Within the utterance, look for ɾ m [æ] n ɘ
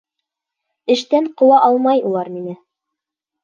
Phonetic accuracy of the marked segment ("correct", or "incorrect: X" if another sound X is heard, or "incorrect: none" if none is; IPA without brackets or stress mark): incorrect: i